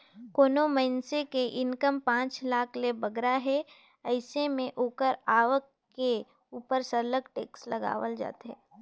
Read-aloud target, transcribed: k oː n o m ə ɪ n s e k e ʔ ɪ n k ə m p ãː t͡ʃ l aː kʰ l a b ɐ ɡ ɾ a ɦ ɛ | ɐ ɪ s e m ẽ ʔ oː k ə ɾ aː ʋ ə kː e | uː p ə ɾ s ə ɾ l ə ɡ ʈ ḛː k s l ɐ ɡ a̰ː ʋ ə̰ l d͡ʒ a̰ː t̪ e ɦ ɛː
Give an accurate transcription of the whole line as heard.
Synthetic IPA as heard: k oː n o m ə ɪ n s e k e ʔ ɪ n k ə m p ãː t͡ʃ l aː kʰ l e b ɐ ɡ ɾ a ɦ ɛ | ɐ ɪ s e m ẽ ʔ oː k ə ɾ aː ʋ ə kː e | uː p ə ɾ s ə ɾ l ə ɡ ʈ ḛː k s l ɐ ɡ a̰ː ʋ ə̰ l d͡ʒ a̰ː t̪ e ɦ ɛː